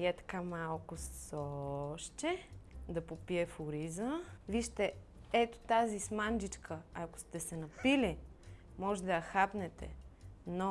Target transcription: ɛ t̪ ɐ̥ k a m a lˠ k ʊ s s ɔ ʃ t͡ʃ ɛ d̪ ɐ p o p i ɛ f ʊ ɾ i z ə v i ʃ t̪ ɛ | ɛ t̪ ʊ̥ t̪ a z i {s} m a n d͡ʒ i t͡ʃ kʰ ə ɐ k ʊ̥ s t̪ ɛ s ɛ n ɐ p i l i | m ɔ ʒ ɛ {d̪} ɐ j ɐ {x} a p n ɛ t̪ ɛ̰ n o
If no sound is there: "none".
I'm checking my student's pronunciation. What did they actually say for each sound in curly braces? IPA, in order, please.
s, d̪, x

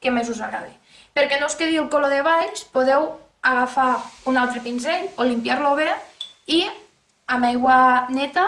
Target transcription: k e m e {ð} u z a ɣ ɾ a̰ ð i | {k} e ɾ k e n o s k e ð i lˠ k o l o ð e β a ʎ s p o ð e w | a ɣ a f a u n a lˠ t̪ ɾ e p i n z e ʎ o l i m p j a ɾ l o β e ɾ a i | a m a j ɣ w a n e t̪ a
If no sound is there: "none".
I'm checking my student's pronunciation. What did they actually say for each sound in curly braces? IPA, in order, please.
z, p

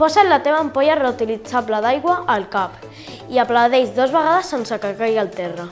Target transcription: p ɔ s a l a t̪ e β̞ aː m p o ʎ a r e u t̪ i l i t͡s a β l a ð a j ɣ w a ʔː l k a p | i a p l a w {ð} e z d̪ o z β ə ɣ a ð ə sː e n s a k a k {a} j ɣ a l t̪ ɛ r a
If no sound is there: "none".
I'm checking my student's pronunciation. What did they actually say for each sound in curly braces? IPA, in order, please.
ð, a

